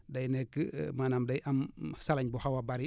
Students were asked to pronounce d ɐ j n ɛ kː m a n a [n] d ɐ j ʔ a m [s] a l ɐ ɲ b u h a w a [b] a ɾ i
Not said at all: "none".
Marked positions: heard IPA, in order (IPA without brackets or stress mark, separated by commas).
m, s, b